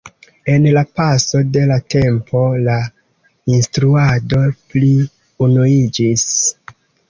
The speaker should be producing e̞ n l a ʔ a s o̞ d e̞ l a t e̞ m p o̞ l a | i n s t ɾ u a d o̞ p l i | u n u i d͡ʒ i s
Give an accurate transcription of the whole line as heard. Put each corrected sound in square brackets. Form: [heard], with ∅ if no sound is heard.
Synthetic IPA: e̞ n l a [p] a s o̞ d e̞ l a t e̞ m p o̞ l a | i n s t ɾ u a d o̞ p l i | u n u i d͡ʒ i s